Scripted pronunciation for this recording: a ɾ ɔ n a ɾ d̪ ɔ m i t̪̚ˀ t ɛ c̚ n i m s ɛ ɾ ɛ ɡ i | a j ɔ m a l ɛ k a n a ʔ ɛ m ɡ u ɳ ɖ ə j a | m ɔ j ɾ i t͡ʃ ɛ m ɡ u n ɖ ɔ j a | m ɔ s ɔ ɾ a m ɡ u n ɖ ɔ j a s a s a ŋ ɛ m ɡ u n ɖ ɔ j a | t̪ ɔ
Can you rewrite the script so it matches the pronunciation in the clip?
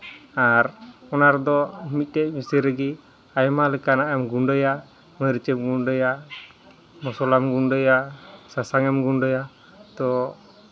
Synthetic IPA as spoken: a ɾ ɔ n a ɾ d̪ ɔ m i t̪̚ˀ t ɛ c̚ m i s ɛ ɾ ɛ ɡ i | a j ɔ m a l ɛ k a n a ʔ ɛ m ɡ u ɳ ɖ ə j a | m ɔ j ɾ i t͡ʃ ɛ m ɡ u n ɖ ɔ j a | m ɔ s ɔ l a m ɡ u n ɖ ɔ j a s a s a ŋ ɛ m ɡ u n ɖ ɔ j a | t̪ ɔ